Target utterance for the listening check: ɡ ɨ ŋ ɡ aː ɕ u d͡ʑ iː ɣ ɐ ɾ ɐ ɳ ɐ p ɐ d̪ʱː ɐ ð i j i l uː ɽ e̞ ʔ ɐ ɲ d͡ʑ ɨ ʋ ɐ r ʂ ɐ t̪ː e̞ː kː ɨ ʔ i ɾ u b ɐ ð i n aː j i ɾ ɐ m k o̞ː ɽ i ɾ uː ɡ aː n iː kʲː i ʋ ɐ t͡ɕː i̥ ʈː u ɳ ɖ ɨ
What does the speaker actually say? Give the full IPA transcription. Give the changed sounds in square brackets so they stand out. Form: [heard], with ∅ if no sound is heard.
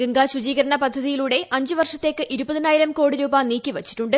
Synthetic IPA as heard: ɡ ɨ ŋ ɡ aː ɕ u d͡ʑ iː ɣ ɐ ɾ ɐ ɳ ɐ p ɐ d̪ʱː ɐ ð i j i l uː ɽ e̞ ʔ ɐ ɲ d͡ʑ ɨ ʋ ɐ r ʂ ɐ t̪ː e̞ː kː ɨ ʔ i ɾ u b ɐ ð i n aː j i ɾ ɐ m k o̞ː ɽ i ɾ uː [b] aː n iː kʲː i ʋ ɐ t͡ɕː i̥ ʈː u ɳ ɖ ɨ